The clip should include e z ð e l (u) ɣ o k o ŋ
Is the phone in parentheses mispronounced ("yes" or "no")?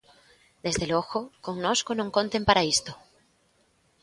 yes